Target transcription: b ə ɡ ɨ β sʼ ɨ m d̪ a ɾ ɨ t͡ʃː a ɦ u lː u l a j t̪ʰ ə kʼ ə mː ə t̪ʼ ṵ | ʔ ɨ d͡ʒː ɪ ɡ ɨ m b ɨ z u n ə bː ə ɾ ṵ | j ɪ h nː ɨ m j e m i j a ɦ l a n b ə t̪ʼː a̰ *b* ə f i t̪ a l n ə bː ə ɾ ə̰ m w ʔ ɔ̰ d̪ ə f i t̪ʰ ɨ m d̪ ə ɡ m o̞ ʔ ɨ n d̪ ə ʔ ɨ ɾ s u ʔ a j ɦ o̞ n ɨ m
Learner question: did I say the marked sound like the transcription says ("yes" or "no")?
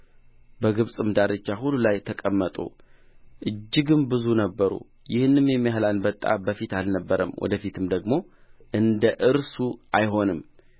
yes